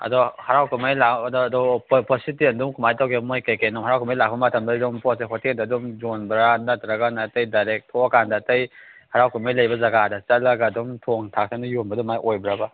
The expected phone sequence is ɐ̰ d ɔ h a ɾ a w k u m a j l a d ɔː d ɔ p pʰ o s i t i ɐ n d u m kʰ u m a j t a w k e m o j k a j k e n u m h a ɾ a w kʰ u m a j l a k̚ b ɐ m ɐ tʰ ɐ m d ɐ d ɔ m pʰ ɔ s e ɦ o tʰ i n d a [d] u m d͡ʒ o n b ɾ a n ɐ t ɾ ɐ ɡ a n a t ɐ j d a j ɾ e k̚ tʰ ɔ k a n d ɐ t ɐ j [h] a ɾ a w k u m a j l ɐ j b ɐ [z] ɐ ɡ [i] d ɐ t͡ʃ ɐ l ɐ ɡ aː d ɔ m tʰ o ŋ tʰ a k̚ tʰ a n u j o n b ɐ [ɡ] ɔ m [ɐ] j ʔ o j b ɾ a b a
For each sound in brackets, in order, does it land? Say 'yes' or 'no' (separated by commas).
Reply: yes, yes, yes, no, no, no